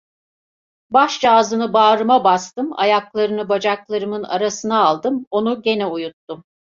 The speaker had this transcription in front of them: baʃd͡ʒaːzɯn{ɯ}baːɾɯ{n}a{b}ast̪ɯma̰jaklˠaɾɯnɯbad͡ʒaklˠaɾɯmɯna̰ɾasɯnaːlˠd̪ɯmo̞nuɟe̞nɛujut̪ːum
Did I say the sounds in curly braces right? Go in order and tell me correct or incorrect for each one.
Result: correct, incorrect: m, correct

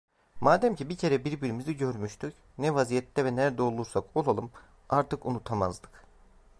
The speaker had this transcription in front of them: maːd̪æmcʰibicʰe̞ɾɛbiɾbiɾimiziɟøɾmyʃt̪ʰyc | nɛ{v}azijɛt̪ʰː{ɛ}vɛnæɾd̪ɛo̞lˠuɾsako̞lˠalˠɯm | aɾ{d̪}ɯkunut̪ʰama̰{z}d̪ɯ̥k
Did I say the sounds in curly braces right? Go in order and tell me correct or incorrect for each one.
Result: correct, correct, incorrect: t̪, correct

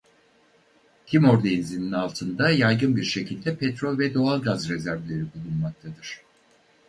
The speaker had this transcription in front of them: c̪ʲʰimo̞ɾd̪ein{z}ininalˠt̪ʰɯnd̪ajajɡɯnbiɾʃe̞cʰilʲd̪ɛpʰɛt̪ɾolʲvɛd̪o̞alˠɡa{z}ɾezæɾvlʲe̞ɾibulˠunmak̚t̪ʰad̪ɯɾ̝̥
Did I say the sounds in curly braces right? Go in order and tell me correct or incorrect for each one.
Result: correct, correct

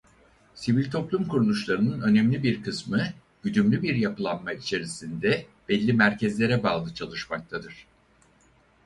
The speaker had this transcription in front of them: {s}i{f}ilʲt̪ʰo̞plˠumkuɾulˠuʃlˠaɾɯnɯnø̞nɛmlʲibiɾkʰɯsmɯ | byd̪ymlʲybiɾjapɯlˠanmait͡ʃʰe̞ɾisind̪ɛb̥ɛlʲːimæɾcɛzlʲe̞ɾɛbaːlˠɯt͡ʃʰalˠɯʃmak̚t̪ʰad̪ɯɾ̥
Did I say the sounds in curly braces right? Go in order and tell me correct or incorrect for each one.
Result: correct, incorrect: v

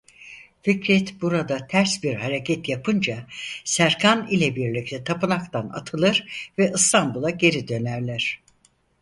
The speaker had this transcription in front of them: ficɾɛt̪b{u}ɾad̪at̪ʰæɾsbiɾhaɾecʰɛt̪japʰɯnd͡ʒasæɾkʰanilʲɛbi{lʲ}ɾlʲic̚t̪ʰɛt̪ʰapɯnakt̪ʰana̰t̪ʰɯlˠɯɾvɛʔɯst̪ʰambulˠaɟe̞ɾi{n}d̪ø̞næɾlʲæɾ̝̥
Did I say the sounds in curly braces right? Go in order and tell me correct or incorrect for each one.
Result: correct, incorrect: none, incorrect: none

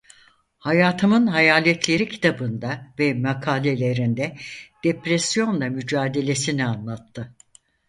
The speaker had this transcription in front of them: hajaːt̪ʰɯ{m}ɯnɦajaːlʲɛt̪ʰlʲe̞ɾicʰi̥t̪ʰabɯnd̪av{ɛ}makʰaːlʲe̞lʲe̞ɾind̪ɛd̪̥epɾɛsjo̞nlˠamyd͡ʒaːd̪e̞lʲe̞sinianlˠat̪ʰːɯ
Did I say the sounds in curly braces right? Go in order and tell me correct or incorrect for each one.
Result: correct, correct

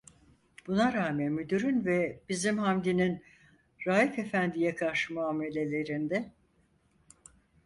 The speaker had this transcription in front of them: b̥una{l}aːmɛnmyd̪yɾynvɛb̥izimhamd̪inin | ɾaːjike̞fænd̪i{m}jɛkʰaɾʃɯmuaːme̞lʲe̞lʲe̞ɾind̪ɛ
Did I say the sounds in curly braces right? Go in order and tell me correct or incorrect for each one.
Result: incorrect: ɾ, incorrect: none

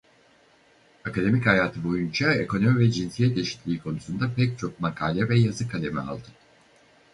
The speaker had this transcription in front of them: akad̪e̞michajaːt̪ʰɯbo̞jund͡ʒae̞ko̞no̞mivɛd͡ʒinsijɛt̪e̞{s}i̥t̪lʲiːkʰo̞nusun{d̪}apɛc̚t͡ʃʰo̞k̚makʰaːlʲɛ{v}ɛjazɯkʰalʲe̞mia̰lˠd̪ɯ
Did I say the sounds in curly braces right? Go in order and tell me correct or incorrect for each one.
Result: incorrect: ʃ, correct, correct

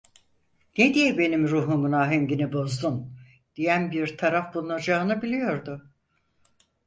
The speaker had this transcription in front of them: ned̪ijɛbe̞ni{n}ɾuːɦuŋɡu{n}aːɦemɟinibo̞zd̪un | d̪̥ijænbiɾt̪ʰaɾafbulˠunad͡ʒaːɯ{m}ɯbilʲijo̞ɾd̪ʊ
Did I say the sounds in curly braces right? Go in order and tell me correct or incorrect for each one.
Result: incorrect: m, correct, incorrect: n

